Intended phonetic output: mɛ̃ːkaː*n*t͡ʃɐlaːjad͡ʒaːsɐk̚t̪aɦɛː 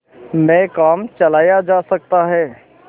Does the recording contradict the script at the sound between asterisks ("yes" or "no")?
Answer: yes